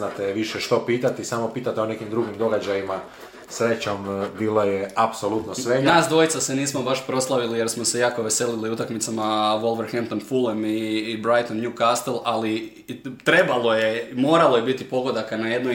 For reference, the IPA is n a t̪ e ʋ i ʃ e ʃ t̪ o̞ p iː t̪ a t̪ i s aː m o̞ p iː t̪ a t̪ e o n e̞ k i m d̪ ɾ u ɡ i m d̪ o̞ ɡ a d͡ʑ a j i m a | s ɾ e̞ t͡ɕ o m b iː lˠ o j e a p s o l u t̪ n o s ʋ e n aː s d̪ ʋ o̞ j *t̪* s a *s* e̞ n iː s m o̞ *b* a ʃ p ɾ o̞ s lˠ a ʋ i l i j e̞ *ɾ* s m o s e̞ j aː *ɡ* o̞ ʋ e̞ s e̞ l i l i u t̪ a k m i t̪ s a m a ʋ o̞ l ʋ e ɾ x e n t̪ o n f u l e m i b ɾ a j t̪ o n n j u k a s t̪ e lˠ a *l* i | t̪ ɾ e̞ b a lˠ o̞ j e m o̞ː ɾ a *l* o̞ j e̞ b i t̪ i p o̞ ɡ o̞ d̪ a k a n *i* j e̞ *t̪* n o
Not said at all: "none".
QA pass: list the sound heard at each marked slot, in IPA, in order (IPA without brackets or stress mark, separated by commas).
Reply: t̪, s, b, ɾ, k, l, l, a, d̪